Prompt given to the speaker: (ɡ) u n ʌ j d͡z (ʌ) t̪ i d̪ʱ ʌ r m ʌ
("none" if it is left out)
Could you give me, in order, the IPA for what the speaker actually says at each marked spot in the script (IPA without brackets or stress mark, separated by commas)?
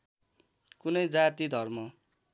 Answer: k, a